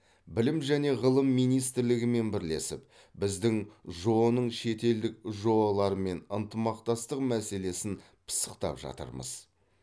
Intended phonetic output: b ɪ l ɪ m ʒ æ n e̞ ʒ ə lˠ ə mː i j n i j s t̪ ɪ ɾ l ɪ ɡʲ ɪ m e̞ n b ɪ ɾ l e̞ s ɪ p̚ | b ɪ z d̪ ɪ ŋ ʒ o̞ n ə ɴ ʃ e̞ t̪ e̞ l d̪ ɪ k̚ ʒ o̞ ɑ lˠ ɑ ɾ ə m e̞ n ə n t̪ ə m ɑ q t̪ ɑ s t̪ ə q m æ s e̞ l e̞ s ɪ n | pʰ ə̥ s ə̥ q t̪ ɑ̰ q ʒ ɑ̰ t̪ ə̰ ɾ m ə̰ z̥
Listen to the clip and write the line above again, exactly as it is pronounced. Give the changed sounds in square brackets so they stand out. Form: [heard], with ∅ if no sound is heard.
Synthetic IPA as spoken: b ɪ l ɪ m ʒ æ n e̞ [ʁ] ə lˠ ə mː i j n i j s t̪ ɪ ɾ l ɪ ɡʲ ɪ m e̞ n b ɪ ɾ l e̞ s ɪ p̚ | b ɪ z d̪ ɪ ŋ ʒ o̞ n ə ɴ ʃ e̞ t̪ e̞ l d̪ ɪ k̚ ʒ o̞ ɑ lˠ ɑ ɾ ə m e̞ n ə n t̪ ə m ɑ q t̪ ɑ s t̪ ə q m æ s e̞ l e̞ s ɪ n | pʰ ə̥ s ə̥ q t̪ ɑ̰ [p] ʒ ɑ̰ t̪ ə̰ ɾ m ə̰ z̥